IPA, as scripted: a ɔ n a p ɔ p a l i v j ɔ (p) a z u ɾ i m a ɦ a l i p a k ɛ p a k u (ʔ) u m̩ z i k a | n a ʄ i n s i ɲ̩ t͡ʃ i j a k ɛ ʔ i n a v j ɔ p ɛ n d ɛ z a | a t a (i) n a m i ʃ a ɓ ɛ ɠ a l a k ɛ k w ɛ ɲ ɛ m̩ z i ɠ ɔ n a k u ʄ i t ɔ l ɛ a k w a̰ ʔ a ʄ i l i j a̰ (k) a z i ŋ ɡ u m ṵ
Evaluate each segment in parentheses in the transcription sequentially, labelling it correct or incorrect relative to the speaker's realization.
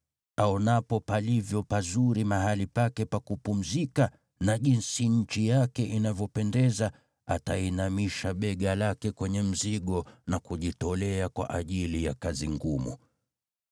correct, incorrect, correct, correct

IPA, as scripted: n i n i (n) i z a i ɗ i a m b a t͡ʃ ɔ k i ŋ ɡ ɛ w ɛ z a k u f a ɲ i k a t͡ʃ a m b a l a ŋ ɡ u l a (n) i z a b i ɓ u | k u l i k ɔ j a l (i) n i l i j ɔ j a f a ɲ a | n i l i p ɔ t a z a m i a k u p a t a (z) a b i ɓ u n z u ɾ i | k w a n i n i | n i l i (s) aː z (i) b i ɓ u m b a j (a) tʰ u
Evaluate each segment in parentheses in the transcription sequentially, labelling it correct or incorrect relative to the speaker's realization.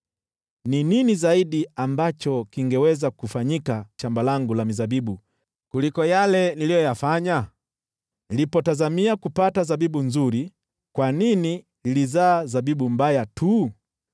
correct, incorrect, incorrect, correct, incorrect, incorrect, correct

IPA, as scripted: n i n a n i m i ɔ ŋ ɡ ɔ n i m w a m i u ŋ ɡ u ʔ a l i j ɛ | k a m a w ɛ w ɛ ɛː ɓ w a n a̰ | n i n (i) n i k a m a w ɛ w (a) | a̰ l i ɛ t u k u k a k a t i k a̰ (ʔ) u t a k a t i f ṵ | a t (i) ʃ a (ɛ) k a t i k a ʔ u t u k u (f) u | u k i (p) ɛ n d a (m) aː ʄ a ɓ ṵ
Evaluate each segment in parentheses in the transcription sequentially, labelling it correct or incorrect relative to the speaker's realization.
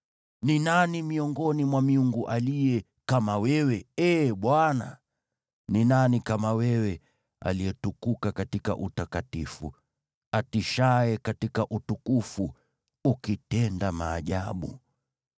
incorrect, incorrect, correct, correct, correct, correct, incorrect, correct

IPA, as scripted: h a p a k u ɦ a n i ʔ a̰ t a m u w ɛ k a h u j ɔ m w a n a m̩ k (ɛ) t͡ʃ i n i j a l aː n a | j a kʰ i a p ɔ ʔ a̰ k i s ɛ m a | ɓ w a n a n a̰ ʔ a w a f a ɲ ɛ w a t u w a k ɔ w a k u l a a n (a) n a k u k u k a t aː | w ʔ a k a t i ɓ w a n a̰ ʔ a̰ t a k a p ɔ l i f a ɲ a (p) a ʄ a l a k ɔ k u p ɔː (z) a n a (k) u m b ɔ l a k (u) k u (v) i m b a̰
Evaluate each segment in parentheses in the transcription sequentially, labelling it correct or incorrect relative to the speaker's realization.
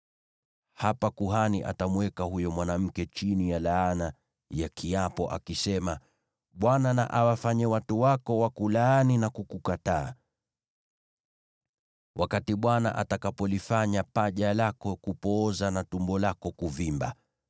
correct, incorrect, correct, correct, incorrect, incorrect, correct

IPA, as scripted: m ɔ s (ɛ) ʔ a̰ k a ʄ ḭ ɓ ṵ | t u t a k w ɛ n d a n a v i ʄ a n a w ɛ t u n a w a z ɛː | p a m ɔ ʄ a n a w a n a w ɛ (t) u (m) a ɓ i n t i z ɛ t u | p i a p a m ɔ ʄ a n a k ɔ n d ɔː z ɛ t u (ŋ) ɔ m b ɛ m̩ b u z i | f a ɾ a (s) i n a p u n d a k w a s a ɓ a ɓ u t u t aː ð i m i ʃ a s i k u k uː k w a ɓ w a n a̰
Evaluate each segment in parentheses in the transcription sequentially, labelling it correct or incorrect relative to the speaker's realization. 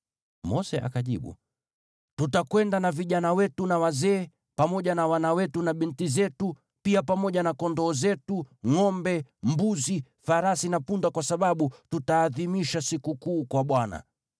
correct, correct, incorrect, correct, correct

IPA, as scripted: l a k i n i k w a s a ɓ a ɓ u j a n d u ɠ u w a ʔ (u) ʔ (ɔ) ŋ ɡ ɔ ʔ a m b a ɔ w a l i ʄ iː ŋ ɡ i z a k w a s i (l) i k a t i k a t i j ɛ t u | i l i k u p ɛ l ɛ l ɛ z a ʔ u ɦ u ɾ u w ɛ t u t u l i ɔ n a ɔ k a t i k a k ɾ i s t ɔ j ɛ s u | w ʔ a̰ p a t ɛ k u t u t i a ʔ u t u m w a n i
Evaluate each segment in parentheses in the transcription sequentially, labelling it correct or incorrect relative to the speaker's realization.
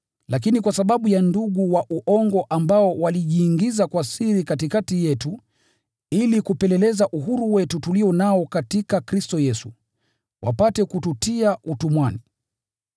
correct, correct, incorrect

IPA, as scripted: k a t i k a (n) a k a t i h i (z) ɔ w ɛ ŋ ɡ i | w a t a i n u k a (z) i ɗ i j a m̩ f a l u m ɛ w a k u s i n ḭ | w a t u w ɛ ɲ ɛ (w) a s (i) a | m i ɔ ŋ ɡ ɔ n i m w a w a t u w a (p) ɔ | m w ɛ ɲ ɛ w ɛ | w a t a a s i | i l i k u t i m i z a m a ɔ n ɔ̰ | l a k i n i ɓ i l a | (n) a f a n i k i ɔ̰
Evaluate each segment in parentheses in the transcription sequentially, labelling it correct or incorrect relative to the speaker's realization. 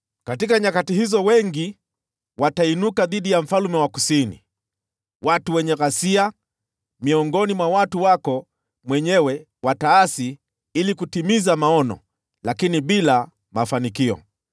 incorrect, correct, incorrect, incorrect, correct, incorrect, incorrect

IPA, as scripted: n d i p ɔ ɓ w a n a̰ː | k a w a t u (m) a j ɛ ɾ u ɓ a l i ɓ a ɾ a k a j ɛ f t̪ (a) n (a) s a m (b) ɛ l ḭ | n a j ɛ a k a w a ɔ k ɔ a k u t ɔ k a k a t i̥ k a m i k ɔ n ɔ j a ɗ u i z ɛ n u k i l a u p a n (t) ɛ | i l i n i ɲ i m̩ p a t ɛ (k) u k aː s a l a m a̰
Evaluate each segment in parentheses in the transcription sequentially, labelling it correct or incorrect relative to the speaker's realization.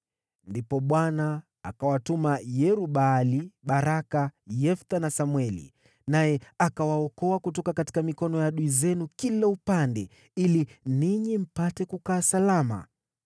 correct, correct, correct, incorrect, incorrect, correct

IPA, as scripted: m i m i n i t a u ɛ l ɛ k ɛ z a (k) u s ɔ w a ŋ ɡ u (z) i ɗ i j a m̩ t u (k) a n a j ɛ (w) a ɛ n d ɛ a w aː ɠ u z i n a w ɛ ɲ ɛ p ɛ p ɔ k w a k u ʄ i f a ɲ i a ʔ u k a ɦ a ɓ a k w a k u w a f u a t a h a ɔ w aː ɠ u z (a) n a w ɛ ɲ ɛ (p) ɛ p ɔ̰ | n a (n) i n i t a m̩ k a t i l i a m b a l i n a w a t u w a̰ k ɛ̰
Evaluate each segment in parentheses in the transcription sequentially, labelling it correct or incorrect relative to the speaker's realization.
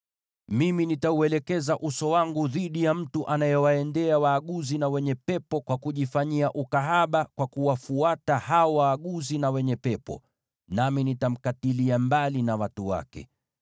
incorrect, incorrect, incorrect, correct, incorrect, correct, incorrect

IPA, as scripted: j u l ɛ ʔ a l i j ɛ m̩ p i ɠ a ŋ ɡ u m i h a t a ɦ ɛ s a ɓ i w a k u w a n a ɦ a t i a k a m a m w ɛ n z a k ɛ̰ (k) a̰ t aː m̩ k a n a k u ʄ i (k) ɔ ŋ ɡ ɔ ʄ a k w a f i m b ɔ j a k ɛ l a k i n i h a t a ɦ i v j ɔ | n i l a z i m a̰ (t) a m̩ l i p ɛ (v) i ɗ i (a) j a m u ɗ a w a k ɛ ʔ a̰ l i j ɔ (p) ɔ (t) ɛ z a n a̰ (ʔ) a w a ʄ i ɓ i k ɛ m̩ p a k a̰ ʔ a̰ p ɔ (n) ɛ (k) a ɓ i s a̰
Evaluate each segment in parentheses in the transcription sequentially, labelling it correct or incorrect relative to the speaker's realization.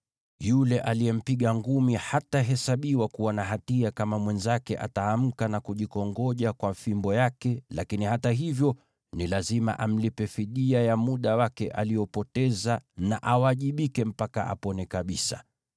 incorrect, correct, incorrect, incorrect, correct, correct, correct, correct, correct, correct

